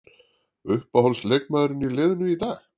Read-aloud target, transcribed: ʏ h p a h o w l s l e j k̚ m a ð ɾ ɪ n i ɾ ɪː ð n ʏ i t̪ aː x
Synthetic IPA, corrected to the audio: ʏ h p a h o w l s l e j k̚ m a ð ɾ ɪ n i l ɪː ð n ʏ i t̪ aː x